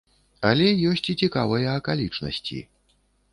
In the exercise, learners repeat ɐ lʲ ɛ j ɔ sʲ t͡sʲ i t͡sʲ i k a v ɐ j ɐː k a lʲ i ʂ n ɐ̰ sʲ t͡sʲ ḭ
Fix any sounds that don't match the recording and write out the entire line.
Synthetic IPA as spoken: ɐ lʲ ɛ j ɔ sʲ t͡sʲ i t͡sʲ i k a v ɐ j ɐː k a lʲ i t͡ʂ n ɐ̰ sʲ t͡sʲ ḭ